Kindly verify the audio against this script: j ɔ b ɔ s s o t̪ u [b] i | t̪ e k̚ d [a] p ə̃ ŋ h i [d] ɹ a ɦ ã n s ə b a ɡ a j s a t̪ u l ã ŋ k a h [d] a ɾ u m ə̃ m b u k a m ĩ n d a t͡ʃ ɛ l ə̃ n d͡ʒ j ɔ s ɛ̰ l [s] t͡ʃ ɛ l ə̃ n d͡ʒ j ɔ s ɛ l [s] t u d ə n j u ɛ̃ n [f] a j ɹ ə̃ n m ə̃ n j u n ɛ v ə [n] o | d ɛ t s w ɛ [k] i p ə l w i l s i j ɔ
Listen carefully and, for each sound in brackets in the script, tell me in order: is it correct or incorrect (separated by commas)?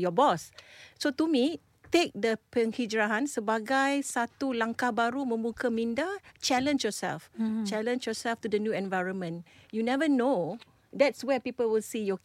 incorrect, incorrect, incorrect, incorrect, incorrect, incorrect, incorrect, correct, incorrect